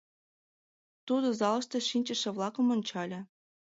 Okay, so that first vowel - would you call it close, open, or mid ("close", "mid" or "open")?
close